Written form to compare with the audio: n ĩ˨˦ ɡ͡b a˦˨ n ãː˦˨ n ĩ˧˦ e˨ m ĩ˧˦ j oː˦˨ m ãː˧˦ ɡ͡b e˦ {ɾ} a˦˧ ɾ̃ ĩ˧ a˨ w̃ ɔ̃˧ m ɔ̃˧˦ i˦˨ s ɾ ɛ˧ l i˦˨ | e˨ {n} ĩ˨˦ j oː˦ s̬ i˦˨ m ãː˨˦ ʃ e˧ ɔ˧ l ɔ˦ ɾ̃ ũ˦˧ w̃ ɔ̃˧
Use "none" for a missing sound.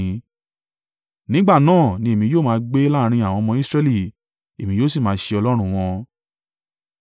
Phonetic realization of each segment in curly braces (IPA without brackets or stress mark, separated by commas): l, m